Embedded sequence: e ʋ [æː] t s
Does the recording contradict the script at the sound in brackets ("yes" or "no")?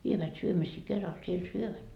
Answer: yes